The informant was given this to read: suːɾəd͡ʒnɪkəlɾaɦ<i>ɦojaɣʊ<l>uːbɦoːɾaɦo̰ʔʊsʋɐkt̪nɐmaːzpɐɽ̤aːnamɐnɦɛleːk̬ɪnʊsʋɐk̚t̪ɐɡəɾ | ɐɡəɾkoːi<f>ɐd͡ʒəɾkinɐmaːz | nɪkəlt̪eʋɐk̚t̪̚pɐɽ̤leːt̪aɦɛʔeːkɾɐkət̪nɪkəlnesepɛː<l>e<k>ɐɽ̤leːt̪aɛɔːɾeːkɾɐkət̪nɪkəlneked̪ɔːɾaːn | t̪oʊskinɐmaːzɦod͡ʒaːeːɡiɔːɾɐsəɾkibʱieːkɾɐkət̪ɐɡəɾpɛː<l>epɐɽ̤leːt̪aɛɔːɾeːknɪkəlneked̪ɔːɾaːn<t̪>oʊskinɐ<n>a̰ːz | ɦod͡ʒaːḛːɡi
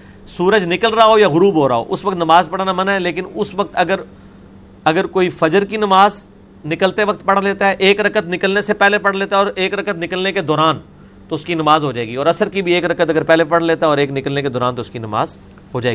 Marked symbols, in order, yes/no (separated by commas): no, no, yes, yes, no, yes, yes, no